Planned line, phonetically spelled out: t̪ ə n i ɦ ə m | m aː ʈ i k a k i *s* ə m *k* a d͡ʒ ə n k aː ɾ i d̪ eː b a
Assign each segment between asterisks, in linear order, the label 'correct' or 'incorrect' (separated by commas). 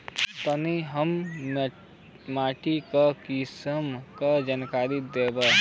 correct, correct